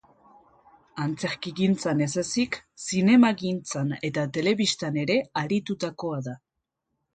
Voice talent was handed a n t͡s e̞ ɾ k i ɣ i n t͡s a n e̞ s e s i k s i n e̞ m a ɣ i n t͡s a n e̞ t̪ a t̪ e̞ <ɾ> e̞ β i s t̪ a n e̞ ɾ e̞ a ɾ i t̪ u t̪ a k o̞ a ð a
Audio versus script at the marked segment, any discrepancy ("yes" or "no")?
yes